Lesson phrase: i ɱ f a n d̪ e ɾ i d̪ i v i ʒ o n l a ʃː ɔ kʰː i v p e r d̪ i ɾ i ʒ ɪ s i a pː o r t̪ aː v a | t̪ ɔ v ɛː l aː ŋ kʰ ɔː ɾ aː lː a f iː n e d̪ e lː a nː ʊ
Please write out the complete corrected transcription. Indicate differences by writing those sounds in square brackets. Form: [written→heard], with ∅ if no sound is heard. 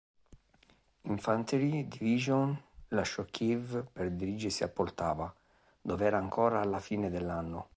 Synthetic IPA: i ɱ f a n [d̪→t̪] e ɾ i d̪ i v i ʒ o n l a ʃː ɔ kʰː i v p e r d̪ i ɾ i [ʒ→d͡ʒ] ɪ s i a pː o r t̪ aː v a | [t̪→d̪] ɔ v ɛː [l→ɾ] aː ŋ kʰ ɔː ɾ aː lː a f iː n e d̪ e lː a nː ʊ